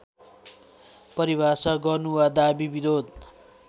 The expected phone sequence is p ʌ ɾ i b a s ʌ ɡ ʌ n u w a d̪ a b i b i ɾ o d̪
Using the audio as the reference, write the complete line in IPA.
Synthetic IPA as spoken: p ʌ ɾ i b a s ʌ ɡ ʌ n u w a d̪ a b i b i ɾ o d̪

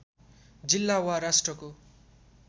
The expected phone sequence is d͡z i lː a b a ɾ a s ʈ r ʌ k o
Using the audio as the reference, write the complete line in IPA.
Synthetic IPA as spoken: d͡z i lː a w a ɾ a s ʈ r ʌ k o

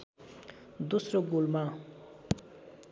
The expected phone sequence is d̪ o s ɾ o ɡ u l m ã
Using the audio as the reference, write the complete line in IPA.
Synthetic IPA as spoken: d̪ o s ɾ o ɡ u l m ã

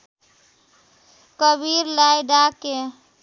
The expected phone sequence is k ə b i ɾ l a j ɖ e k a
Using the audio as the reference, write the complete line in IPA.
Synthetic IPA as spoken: k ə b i ɾ l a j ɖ a k e

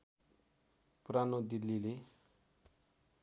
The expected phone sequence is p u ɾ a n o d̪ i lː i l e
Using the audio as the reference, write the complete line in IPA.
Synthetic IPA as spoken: p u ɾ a n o d̪ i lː i l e

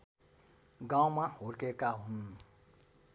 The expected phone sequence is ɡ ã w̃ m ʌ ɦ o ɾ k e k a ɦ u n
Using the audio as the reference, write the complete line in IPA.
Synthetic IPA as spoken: ɡ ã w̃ m a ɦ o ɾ k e k a ɦ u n

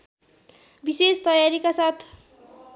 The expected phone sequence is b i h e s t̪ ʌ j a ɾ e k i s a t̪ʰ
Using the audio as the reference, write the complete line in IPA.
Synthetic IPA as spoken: b i s e s t̪ ʌ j a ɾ i k a s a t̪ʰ

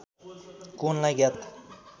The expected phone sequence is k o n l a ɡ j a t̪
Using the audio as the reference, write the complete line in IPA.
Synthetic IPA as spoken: k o n l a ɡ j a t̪

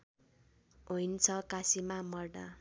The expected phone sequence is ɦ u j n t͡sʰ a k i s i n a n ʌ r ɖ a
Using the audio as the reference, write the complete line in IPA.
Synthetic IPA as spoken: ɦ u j n t͡sʰ ʌ k a s i m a m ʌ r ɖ a

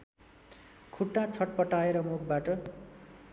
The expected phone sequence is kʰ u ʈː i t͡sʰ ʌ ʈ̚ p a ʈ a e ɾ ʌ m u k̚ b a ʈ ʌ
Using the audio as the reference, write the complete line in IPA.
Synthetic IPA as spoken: kʰ u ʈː a t͡sʰ ʌ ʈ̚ p ʌ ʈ a e ɾ ʌ m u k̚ b a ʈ ʌ

